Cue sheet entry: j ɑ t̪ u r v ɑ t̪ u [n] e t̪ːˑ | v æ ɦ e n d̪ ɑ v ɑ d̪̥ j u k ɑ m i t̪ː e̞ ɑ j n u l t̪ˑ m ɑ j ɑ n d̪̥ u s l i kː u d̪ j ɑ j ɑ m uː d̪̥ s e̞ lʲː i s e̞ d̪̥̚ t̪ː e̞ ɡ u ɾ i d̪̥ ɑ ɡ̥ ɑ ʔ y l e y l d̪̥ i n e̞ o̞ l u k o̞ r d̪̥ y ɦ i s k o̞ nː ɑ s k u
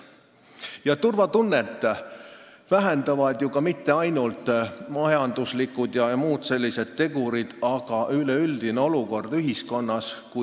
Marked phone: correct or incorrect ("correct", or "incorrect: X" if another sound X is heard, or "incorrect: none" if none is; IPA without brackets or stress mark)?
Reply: incorrect: nː